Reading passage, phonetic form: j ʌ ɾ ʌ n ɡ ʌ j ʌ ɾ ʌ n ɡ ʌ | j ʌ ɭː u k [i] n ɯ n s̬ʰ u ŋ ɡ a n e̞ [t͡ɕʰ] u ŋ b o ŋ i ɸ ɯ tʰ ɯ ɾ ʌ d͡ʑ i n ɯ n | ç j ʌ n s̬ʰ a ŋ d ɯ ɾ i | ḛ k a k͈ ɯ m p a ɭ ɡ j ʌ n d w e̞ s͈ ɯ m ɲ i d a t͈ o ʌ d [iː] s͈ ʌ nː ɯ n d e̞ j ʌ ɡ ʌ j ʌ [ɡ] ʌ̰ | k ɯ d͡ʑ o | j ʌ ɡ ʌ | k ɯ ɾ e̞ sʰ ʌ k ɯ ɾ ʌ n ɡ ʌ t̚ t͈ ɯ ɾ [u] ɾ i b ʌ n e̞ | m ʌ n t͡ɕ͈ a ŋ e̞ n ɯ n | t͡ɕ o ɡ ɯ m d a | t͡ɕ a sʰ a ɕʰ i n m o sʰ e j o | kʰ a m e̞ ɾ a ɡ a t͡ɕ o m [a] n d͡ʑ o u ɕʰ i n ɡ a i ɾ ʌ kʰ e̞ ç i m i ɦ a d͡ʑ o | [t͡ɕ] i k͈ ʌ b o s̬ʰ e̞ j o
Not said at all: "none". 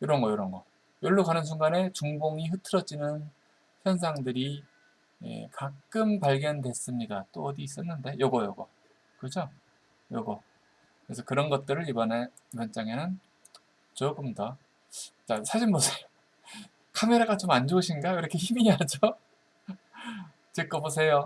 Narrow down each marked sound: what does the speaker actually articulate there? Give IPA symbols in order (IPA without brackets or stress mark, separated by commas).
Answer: a, t͡ɕ, iː, ɡ, ɯ, a, t͡ɕ